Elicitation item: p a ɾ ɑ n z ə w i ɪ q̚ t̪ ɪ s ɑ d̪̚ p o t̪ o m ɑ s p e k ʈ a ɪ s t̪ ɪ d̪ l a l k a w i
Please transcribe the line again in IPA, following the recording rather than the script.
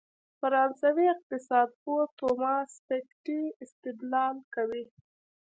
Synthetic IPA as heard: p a ɾ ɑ n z a w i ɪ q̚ t̪ ɪ s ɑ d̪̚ p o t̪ o m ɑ s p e k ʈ i ɪ s t̪ ɪ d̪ l ɑ l k a w i